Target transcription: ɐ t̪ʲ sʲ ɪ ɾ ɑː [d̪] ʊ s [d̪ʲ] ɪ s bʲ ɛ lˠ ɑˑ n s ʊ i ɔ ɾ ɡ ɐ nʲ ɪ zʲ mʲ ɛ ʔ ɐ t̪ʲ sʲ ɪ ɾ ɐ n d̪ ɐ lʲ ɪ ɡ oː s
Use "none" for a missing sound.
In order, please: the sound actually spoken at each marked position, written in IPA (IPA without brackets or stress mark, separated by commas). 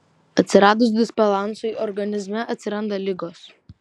d̪, d̪ʲ